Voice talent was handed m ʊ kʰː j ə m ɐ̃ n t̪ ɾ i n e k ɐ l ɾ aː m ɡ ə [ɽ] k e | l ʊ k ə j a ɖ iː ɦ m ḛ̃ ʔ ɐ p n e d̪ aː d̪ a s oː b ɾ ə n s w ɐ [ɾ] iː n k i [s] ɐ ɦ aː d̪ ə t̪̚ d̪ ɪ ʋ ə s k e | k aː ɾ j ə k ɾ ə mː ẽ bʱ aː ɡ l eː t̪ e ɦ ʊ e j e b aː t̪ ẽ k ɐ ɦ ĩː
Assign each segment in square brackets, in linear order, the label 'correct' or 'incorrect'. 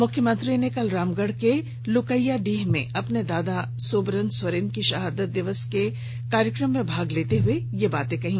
correct, correct, incorrect

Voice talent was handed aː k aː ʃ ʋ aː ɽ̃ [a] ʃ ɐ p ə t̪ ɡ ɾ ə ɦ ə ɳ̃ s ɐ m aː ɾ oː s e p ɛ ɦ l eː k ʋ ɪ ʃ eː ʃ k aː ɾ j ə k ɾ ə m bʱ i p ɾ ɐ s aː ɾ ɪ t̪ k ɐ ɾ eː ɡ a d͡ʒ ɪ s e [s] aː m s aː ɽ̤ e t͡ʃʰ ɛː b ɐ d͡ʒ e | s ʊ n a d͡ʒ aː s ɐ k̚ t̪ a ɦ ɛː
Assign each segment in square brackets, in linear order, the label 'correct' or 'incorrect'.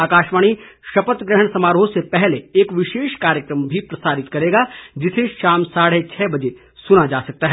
incorrect, incorrect

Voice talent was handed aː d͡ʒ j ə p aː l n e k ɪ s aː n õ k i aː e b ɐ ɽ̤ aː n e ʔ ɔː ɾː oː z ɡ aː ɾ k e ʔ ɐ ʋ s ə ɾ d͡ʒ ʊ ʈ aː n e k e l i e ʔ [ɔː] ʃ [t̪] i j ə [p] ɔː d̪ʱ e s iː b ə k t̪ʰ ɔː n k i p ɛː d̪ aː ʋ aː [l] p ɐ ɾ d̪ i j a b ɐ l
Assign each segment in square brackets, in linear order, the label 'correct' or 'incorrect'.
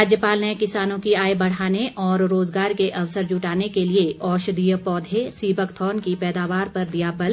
correct, incorrect, correct, incorrect

